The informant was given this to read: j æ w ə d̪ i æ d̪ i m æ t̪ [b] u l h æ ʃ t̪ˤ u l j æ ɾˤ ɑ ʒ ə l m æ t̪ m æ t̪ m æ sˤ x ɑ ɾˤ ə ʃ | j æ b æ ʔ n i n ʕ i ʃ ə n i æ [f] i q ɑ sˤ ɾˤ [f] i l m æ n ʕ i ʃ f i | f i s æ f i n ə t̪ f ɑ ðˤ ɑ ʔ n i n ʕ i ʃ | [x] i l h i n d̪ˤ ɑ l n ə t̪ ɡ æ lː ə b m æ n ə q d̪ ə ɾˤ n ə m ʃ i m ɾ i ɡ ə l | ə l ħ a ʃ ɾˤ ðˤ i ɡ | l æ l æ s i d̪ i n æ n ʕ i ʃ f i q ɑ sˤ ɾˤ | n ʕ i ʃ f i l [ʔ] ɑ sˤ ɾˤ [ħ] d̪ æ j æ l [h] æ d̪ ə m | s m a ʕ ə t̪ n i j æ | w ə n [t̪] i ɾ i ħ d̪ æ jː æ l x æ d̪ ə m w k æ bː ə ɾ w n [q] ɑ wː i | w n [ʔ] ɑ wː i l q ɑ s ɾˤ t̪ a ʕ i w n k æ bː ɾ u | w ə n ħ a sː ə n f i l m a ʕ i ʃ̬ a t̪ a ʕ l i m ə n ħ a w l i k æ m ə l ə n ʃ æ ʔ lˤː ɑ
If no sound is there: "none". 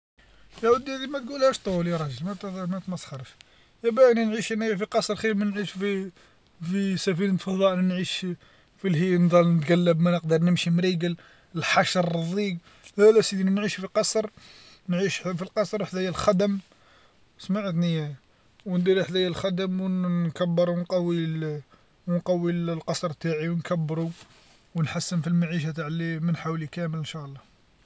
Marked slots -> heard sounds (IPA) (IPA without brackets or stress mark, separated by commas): ɡ, f, x, f, q, ħ, x, d̪, q, q